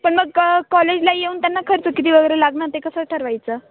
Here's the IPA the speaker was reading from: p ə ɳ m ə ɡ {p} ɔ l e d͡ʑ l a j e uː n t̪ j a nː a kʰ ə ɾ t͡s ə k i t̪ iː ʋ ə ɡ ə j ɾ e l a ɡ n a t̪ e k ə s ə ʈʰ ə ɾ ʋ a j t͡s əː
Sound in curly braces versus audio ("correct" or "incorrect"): incorrect